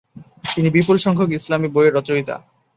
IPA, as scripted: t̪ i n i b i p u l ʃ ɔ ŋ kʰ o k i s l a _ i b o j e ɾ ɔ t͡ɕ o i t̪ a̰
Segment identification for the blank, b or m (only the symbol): m